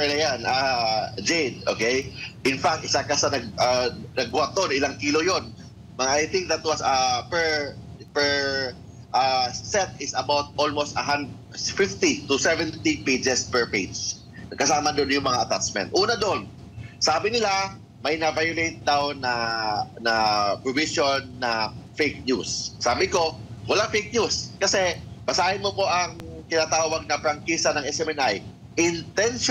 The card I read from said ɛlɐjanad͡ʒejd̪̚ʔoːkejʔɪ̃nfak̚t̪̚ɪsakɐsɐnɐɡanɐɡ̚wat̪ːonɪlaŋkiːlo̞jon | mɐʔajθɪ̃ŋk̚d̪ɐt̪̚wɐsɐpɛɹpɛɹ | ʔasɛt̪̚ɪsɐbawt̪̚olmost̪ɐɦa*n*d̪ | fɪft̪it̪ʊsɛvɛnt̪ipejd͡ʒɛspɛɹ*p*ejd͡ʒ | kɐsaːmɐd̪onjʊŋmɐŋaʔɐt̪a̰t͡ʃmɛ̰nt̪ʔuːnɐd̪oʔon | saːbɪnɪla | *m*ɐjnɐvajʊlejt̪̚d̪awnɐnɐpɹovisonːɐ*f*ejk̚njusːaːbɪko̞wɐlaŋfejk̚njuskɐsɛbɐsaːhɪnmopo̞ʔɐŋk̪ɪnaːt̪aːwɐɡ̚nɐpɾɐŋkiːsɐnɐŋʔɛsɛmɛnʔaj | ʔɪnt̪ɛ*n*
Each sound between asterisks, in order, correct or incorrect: correct, correct, correct, correct, correct

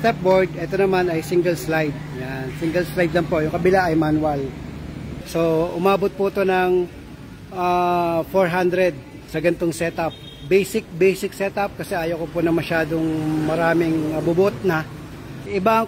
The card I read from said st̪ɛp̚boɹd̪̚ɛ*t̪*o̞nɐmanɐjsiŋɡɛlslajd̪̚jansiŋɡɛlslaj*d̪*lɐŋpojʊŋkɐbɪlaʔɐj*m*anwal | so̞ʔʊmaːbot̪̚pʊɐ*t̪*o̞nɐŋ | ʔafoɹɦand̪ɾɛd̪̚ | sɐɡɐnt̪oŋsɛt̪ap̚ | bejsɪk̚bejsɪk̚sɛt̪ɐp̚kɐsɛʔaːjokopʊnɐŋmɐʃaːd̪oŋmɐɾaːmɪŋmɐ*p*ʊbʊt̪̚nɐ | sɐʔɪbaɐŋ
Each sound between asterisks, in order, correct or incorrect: correct, correct, correct, correct, incorrect

